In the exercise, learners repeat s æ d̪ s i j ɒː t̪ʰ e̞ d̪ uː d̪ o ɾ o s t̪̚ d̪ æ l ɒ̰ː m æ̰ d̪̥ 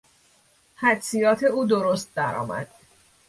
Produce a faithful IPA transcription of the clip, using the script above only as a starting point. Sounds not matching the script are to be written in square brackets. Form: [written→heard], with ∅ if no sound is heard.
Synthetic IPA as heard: [s→h] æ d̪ s i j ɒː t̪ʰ e̞ [d̪→∅] uː d̪ o ɾ o s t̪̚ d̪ æ [l→ɾ] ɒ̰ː m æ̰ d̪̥